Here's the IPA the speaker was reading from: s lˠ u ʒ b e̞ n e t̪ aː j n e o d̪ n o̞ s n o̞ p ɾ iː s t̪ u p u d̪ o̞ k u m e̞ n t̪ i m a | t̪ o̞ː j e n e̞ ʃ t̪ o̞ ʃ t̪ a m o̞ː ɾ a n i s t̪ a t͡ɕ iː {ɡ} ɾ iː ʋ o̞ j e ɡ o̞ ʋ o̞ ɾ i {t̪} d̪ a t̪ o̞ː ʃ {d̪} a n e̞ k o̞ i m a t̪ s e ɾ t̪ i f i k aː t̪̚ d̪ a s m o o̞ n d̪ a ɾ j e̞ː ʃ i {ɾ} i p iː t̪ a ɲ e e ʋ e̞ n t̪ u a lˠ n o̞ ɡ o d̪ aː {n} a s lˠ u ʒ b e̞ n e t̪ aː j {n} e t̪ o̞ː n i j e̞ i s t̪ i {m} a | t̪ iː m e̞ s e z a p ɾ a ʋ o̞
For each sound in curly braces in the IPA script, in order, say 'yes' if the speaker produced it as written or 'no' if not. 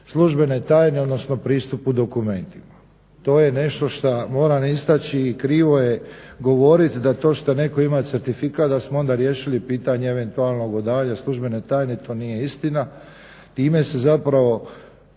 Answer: no, yes, no, no, no, yes, no

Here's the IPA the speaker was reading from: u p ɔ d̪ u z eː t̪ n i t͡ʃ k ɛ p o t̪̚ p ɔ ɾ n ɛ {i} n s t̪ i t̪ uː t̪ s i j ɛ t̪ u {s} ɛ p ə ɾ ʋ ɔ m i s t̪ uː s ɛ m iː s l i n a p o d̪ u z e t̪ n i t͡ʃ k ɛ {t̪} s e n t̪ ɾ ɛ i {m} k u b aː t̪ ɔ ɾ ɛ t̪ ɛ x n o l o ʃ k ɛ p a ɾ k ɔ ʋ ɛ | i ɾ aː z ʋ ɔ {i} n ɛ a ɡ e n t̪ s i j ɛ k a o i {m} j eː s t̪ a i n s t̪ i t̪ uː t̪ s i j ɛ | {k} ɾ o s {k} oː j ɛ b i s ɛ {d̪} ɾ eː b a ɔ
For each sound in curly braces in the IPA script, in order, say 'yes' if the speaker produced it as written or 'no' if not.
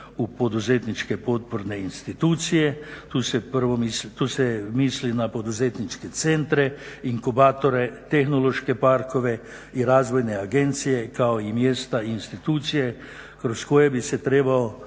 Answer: yes, yes, yes, no, no, yes, yes, yes, no

